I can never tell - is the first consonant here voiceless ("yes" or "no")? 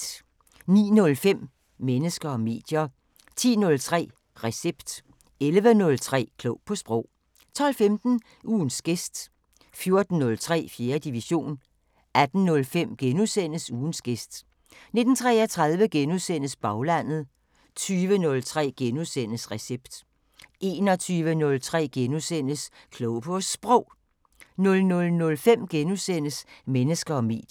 no